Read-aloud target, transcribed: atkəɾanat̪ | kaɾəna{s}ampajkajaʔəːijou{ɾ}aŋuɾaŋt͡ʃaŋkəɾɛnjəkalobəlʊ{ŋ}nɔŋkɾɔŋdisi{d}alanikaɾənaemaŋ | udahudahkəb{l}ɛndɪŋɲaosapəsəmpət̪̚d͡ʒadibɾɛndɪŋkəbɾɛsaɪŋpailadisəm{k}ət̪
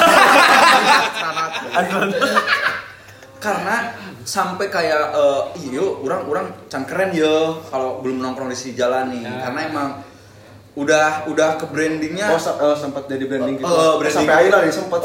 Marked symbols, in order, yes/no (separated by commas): yes, yes, no, no, no, no